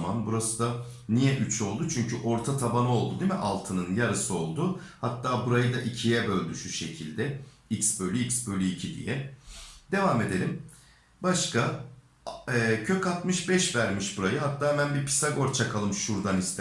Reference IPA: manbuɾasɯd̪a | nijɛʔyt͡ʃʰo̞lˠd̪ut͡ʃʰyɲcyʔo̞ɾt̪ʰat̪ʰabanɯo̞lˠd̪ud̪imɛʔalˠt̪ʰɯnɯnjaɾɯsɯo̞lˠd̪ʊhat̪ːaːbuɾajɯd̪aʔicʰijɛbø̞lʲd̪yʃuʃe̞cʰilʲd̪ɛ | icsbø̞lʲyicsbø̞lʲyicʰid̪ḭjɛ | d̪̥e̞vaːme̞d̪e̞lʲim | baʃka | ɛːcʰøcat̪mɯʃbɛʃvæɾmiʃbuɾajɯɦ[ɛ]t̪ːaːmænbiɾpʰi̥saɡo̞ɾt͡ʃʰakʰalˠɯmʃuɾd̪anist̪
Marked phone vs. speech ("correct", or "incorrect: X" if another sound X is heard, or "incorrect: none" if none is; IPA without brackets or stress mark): incorrect: a